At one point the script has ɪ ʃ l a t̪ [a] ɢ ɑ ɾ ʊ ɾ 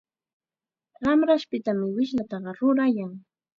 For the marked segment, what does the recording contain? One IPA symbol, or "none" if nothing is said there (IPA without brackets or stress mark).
ɑ